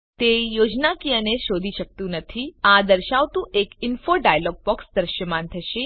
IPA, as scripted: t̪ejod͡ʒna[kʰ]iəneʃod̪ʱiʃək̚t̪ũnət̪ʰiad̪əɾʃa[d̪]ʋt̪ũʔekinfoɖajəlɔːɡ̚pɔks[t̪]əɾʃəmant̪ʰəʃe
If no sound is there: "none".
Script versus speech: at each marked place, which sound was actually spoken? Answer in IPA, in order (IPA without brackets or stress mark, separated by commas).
k, none, d̪